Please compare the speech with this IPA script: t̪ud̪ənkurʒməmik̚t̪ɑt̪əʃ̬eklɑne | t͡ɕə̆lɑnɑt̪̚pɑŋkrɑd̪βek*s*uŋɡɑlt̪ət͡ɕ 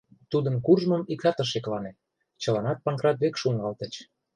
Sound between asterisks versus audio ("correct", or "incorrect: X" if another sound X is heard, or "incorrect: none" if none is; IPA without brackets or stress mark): incorrect: ʃ